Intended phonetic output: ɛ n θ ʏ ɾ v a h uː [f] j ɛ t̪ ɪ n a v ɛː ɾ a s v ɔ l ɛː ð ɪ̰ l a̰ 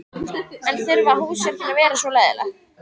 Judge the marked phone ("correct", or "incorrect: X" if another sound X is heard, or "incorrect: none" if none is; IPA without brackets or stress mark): incorrect: s